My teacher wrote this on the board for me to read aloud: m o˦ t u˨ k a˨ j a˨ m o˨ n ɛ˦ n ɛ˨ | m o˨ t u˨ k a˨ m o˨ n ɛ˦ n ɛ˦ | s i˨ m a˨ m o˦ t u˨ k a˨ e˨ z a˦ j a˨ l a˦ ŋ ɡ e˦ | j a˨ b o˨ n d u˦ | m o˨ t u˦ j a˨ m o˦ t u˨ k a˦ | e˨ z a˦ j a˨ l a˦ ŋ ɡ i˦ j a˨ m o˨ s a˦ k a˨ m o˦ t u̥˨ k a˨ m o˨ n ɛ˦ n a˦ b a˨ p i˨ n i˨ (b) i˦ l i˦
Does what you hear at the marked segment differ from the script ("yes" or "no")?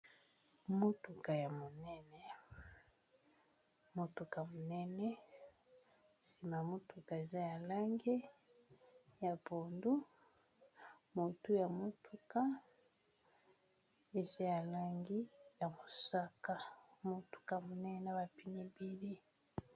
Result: no